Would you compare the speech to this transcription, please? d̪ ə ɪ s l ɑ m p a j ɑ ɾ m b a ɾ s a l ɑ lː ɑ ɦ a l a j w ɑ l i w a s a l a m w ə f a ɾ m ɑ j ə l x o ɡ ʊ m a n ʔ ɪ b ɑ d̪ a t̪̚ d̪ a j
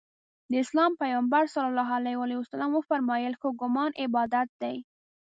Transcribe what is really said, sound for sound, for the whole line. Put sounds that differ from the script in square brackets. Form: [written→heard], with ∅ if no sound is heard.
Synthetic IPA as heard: d̪ ə ɪ s l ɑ m p a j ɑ [ɾ→∅] m b a ɾ s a l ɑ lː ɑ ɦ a l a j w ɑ l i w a s a l a m w ə f a ɾ m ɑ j ə l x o ɡ ʊ m [a→ɑ] n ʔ ɪ b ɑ d̪ a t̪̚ d̪ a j